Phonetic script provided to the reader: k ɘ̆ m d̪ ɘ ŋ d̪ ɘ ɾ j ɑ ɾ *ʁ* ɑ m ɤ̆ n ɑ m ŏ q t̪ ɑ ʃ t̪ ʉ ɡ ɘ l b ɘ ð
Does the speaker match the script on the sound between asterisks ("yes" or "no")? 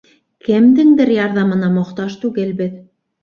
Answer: no